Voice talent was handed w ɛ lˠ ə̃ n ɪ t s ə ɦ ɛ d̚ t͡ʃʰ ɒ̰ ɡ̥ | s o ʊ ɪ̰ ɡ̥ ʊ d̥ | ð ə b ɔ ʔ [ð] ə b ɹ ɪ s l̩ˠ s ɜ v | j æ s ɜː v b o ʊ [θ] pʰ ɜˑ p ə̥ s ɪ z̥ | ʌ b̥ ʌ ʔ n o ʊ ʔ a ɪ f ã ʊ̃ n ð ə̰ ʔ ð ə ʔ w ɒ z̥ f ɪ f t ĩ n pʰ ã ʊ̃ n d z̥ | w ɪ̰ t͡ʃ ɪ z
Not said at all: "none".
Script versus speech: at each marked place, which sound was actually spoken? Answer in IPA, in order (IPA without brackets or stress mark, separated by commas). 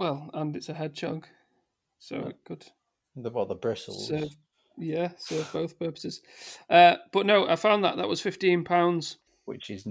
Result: ð, θ